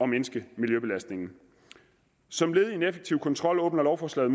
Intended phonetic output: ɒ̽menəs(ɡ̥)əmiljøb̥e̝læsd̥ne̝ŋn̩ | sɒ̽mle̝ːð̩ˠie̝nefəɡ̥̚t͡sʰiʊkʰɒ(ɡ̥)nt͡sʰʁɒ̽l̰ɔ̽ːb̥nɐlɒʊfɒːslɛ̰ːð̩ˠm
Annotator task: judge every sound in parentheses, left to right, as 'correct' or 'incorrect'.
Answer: correct, incorrect

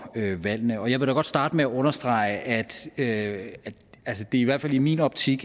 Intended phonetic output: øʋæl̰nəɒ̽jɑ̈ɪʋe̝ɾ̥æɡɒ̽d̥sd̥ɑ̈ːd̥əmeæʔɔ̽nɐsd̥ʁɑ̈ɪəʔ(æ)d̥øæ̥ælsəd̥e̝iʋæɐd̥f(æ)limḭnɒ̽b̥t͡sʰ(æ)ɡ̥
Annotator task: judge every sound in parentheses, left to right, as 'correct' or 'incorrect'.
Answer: correct, correct, incorrect

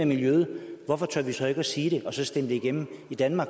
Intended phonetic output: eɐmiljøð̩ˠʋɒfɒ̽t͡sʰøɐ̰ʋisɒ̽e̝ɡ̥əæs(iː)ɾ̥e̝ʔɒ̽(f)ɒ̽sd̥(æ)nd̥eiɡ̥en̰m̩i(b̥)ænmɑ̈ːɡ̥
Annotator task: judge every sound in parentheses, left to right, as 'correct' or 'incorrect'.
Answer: correct, incorrect, incorrect, incorrect

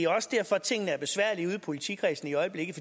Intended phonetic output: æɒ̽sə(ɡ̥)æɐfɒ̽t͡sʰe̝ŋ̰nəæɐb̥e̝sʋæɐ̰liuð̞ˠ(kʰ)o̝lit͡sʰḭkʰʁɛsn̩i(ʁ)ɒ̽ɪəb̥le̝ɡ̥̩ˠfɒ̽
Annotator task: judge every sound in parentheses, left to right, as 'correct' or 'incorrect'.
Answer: incorrect, incorrect, incorrect

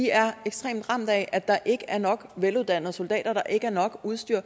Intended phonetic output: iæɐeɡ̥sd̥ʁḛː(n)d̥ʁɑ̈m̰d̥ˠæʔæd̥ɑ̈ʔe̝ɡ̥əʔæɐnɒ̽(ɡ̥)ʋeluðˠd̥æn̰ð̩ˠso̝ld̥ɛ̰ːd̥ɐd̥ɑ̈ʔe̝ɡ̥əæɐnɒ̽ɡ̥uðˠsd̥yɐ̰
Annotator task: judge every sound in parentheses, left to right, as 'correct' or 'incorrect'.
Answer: incorrect, correct

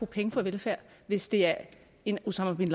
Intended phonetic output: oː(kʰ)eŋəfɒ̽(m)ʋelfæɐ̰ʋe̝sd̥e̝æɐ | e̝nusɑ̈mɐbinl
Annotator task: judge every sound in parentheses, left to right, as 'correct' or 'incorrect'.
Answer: incorrect, incorrect

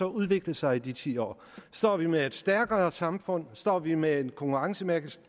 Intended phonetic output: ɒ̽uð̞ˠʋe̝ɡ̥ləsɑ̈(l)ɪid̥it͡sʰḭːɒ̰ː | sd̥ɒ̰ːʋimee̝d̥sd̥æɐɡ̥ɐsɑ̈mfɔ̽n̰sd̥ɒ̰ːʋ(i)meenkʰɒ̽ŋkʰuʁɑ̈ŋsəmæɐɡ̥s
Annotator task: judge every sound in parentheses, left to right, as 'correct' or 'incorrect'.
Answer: incorrect, correct

